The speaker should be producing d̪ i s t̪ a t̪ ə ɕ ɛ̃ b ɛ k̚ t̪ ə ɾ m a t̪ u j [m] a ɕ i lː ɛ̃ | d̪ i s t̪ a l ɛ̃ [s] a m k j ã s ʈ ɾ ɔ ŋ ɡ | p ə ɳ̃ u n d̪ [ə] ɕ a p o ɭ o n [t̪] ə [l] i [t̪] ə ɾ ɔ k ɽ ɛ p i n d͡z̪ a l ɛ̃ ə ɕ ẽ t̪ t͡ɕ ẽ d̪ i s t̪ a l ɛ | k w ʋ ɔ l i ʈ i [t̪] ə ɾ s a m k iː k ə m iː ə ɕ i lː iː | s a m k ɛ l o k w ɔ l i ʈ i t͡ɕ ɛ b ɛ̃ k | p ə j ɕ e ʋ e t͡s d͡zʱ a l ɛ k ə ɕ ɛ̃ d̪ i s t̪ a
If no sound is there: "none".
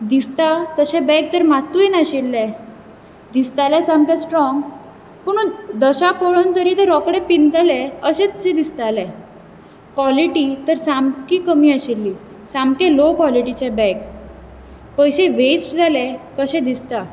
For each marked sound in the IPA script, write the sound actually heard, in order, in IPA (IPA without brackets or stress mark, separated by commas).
n, s, ə, t̪, ɾ, t̪, t̪